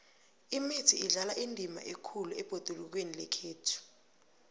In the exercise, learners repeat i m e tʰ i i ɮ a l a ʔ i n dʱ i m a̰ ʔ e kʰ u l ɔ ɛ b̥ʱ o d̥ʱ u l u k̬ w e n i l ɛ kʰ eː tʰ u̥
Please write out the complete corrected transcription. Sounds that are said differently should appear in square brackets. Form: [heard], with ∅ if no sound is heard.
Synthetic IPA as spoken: i m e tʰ i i ɮ a l a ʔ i n dʱ i m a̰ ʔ e kʰ u l [u] ɛ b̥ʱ o d̥ʱ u l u k̬ w e n i l ɛ kʰ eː tʰ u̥

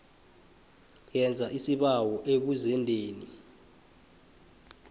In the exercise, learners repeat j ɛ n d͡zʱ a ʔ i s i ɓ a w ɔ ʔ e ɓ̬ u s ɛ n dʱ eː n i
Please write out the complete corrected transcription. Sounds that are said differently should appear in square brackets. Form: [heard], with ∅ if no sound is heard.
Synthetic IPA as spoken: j ɛ n d͡zʱ a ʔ i s i ɓ a w ɔ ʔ e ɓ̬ u [z] ɛ n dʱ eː n i

